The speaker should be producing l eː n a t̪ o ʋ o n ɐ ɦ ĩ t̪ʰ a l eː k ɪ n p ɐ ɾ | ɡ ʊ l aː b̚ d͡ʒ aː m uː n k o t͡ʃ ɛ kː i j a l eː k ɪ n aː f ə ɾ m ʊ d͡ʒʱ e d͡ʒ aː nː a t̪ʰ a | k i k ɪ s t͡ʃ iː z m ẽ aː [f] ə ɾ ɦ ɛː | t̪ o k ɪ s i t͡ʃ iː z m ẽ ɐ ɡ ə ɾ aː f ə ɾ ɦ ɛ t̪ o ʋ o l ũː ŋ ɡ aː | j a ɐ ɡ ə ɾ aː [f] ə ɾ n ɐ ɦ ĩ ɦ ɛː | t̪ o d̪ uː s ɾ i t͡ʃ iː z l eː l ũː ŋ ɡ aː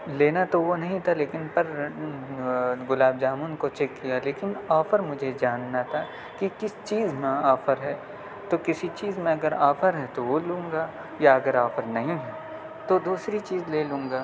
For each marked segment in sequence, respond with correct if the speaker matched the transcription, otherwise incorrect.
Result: correct, correct

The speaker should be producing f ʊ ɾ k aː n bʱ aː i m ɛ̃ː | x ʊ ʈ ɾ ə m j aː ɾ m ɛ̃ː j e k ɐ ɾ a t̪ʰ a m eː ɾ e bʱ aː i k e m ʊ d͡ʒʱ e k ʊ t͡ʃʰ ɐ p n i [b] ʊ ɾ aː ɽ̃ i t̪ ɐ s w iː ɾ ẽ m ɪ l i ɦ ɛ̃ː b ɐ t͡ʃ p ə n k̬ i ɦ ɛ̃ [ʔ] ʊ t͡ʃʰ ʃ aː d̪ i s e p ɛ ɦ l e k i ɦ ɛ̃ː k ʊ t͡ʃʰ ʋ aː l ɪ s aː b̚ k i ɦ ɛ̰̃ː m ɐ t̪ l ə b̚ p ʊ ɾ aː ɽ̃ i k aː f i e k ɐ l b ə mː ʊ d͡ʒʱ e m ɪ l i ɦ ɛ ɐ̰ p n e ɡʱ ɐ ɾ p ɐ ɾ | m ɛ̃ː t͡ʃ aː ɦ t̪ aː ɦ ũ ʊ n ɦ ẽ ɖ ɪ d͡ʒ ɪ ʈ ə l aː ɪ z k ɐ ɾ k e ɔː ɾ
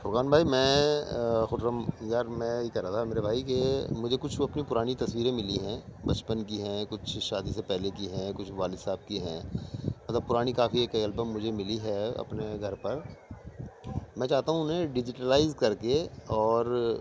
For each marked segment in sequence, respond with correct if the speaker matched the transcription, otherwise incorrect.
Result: incorrect: p, incorrect: k

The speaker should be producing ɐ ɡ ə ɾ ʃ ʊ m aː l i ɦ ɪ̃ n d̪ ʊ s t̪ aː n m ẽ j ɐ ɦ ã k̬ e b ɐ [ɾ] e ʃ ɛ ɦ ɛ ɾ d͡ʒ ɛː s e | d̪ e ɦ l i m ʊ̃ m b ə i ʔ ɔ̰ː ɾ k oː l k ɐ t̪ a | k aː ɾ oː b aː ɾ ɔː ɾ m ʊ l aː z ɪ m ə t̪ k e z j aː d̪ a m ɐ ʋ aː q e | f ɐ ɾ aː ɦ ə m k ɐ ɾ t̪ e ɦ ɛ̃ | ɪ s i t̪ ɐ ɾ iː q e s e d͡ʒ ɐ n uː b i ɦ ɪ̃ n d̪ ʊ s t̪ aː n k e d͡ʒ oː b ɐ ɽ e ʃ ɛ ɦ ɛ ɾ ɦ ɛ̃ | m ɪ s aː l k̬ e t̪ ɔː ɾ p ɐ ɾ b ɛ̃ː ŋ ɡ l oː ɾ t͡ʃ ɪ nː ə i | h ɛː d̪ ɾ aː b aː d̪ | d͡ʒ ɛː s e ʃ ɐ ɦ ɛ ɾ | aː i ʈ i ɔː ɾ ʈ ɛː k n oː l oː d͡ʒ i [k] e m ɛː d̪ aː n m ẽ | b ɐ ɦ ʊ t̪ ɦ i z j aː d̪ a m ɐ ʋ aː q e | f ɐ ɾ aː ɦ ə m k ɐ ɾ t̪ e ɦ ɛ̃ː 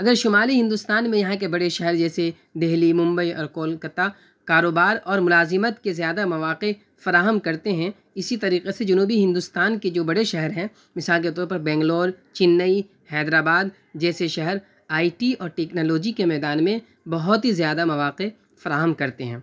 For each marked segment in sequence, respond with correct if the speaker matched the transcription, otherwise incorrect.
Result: incorrect: ɽ, correct

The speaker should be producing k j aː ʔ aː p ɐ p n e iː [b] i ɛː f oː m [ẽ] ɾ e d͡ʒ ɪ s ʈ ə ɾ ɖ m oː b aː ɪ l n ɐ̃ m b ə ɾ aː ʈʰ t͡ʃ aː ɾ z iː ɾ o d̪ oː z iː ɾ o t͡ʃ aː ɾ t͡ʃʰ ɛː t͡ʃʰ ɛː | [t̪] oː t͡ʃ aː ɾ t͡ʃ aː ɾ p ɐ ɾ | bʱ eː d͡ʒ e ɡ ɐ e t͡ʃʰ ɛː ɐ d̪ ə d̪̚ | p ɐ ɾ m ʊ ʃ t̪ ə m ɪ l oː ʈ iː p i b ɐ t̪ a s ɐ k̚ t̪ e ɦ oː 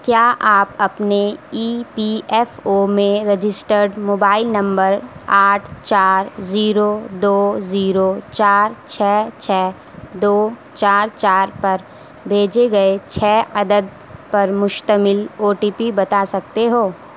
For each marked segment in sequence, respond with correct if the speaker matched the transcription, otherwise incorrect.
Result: incorrect: p, correct, incorrect: d̪

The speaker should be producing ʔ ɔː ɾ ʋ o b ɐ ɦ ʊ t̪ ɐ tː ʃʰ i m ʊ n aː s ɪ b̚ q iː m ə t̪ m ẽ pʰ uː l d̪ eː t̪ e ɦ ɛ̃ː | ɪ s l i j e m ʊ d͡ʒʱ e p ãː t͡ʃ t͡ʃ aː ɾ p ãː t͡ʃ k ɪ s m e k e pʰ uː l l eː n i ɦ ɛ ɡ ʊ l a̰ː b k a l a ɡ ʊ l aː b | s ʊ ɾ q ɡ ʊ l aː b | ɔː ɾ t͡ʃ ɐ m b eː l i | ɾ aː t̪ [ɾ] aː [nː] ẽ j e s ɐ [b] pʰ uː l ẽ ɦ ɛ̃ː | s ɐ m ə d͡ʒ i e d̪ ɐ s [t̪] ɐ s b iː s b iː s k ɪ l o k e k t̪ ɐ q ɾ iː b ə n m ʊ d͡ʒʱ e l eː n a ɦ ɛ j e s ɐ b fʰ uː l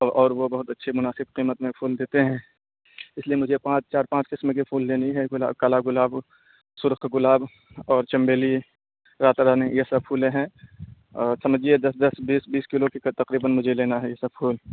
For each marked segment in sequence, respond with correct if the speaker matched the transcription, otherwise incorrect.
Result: correct, incorrect: n, correct, incorrect: d̪

